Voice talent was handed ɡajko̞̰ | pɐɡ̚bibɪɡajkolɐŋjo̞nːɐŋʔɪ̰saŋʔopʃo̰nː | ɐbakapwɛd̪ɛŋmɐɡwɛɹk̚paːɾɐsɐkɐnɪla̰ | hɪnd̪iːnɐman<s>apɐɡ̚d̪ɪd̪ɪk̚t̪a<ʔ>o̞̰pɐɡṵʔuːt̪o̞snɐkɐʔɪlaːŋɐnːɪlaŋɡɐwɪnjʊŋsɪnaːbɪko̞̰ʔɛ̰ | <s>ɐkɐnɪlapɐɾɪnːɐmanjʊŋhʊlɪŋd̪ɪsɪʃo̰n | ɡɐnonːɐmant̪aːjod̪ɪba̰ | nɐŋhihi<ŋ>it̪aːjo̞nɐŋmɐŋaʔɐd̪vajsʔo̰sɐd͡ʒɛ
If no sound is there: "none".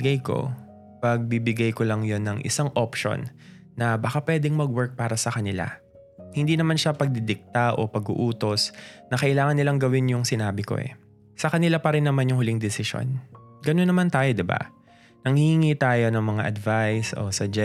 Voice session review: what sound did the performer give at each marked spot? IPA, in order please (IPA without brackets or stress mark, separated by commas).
ʃ, ʔ, s, ŋ